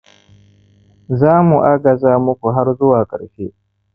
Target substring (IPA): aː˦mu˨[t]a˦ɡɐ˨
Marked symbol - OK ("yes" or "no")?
no